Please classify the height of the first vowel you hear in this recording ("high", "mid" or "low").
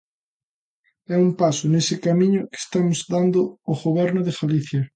mid